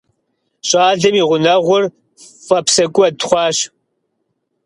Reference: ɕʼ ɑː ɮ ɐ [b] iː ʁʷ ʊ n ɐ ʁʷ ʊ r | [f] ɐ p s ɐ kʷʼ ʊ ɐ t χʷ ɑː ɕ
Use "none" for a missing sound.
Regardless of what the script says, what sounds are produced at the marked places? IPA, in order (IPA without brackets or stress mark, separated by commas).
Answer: m, f